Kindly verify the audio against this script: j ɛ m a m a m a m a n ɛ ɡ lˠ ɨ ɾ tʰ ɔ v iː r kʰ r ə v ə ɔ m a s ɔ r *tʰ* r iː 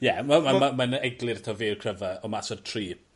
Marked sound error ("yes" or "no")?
no